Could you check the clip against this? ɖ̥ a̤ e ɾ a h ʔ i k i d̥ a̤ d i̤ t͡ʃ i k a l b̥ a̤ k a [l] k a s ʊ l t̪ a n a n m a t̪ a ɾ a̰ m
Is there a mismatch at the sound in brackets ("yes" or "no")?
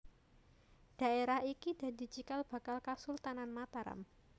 no